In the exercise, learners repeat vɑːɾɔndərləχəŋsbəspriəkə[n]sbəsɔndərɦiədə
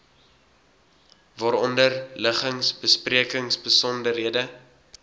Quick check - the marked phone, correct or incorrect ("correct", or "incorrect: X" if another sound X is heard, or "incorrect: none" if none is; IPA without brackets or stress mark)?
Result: incorrect: ŋ